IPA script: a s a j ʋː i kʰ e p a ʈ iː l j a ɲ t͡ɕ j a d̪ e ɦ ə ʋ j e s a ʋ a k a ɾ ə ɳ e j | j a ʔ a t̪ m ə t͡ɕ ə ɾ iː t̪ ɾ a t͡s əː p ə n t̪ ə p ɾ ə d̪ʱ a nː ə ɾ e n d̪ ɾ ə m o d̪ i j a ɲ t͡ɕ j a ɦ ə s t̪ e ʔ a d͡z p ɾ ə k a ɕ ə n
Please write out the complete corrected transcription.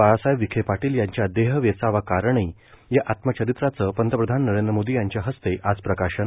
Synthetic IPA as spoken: a s a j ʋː i kʰ e p a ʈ iː l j a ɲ t͡ɕ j a d̪ e ɦ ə ʋ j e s a ʋ a k a ɾ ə ɳ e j | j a ʔ a t̪ m ə t͡ɕ ə ɾ i t̪ ɾ a t͡s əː p ə n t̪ ə p ɾ ə d̪ʱ a nː ə ɾ e n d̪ ɾ ə m o d̪ i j a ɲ t͡ɕ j a ɦ ə s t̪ e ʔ a d͡z p ɾ ə k a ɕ ə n